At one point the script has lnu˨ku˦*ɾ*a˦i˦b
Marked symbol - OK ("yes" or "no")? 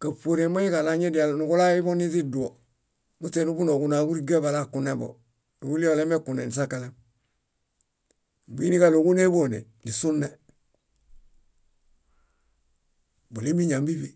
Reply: no